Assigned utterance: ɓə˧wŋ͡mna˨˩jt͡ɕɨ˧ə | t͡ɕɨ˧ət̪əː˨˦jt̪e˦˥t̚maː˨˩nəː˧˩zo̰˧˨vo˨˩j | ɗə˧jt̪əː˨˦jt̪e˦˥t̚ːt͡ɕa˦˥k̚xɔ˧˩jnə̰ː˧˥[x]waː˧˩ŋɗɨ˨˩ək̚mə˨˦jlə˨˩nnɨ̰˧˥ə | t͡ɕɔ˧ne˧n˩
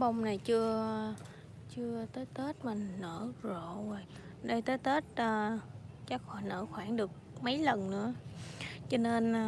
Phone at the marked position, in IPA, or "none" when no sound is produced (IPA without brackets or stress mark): x